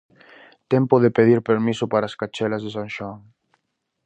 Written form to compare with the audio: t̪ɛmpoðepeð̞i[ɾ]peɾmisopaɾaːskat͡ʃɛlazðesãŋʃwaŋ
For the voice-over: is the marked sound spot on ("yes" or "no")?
yes